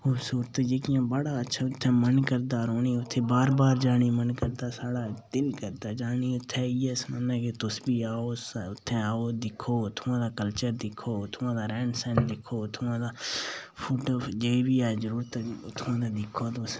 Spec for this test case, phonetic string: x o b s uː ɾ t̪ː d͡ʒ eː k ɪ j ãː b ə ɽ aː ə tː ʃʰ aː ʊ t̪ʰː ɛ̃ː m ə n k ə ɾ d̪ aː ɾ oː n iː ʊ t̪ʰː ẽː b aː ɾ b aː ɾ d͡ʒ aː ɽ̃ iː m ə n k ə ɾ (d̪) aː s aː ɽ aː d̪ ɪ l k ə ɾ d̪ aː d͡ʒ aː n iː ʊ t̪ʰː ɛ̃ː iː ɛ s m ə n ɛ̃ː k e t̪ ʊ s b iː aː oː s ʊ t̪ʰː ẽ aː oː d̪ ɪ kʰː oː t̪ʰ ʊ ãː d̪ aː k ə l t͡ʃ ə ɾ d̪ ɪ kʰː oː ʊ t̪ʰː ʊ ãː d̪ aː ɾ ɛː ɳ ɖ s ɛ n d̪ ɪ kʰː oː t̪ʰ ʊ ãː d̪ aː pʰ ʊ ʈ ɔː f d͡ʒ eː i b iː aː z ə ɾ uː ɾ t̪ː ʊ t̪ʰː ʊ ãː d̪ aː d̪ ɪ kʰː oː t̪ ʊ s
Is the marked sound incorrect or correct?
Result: correct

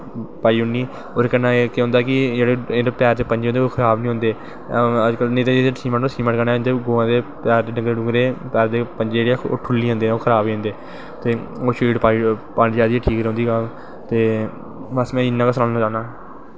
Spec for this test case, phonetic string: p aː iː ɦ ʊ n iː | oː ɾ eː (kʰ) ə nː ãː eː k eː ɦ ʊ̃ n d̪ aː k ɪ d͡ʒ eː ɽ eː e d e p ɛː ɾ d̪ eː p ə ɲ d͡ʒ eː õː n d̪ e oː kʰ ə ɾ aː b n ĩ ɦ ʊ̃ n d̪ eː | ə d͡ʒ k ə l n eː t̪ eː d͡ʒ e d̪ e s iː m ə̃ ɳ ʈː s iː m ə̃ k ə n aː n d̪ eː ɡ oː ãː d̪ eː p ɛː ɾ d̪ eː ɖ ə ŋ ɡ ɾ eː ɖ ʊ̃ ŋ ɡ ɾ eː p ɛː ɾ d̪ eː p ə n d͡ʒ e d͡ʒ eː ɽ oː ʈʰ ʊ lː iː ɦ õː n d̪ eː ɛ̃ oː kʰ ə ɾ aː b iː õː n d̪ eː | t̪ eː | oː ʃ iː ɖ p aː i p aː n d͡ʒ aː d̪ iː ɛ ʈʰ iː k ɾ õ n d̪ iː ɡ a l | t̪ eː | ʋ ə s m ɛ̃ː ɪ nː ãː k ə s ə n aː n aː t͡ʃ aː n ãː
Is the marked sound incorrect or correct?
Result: incorrect: k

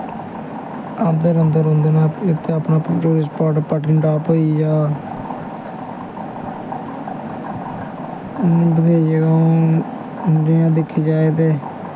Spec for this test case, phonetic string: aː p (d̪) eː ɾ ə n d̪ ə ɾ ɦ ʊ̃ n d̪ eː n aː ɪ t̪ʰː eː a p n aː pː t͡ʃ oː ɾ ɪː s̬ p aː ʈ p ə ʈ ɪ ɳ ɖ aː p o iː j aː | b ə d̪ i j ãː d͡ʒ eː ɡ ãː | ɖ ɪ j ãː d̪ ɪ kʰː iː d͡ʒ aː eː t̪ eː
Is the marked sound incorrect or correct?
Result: correct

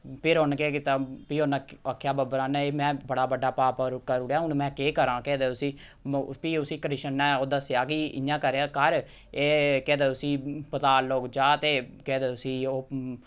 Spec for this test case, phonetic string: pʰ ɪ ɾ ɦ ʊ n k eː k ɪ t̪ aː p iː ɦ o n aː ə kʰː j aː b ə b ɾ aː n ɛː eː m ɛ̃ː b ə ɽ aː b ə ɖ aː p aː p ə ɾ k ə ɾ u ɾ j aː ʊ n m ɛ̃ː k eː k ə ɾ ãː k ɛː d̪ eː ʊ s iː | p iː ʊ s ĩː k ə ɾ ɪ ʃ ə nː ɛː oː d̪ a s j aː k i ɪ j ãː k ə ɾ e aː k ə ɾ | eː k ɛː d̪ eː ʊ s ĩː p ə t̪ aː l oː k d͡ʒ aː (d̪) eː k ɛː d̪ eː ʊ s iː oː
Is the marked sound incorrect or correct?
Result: incorrect: t̪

